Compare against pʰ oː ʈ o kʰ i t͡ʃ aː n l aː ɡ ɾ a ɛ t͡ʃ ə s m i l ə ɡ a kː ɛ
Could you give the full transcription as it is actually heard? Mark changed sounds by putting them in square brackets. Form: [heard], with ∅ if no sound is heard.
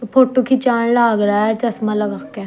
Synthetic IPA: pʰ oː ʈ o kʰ i t͡ʃ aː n l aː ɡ ɾ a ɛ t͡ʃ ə s m [a] l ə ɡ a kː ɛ